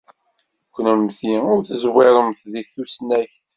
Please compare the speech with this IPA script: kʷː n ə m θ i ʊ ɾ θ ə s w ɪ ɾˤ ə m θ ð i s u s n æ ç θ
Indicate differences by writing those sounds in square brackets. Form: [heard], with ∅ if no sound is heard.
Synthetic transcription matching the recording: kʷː n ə m θ i ʊ ɾ θ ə [z] w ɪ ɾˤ ə m θ ð i [θ] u s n æ ç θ